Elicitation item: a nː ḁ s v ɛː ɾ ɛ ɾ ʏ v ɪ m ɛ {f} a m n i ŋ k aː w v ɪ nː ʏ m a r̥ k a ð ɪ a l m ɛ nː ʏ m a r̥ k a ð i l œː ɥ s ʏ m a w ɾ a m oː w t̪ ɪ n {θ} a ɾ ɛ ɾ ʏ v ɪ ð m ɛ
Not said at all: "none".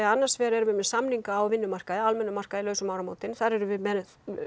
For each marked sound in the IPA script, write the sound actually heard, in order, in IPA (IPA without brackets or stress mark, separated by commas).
s, θ